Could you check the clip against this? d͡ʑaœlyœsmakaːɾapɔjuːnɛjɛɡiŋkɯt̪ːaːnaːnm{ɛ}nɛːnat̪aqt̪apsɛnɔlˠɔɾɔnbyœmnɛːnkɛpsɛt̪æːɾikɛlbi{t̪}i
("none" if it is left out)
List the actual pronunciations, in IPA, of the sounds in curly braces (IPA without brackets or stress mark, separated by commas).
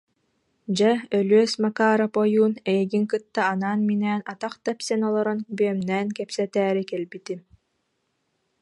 i, t̪